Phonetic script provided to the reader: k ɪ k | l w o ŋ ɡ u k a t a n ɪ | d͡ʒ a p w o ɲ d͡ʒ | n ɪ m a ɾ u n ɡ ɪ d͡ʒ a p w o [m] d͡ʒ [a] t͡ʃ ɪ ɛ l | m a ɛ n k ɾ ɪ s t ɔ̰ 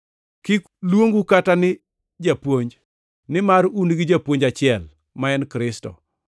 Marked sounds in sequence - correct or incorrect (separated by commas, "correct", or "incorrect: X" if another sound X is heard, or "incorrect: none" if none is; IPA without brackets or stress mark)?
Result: incorrect: ɲ, correct